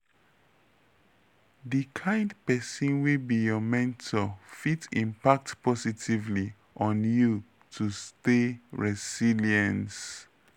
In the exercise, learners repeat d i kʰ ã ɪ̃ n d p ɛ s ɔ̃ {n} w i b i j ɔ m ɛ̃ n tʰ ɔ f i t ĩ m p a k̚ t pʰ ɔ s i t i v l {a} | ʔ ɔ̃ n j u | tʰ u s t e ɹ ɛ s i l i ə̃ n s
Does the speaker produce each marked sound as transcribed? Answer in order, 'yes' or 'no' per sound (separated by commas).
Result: yes, no